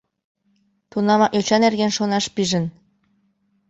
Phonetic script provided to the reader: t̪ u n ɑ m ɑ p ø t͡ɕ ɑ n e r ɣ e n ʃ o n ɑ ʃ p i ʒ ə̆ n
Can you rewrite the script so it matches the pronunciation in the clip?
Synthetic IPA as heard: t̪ u n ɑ m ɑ ʔ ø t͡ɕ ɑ n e r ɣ e n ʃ o n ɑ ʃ p i ʒ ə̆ n